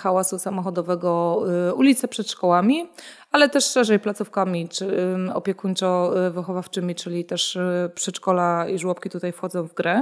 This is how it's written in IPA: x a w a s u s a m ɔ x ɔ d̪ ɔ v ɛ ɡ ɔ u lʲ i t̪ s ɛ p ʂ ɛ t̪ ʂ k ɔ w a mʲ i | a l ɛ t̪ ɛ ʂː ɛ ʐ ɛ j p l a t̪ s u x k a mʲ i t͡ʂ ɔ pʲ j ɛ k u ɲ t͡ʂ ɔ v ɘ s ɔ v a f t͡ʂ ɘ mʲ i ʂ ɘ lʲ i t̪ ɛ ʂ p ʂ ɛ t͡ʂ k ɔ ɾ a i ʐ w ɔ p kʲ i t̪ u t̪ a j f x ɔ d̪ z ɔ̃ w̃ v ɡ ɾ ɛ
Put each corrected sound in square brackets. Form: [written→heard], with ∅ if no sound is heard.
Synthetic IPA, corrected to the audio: x a w a s u s a m ɔ x ɔ d̪ ɔ v ɛ ɡ ɔ u lʲ i t̪ s ɛ p ʂ ɛ t̪ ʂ k ɔ w a mʲ i | a l ɛ t̪ ɛ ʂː ɛ ʐ ɛ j p l a t̪ s u [x→f] k a mʲ i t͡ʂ ɔ pʲ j ɛ k u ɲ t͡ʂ ɔ v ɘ [s→x] ɔ v a f t͡ʂ ɘ mʲ i [ʂ→t͡ʂ] ɘ lʲ i t̪ ɛ ʂ p ʂ ɛ t͡ʂ k ɔ [ɾ→l] a i ʐ w ɔ p kʲ i t̪ u t̪ a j f x ɔ d̪ z ɔ̃ w̃ v ɡ ɾ ɛ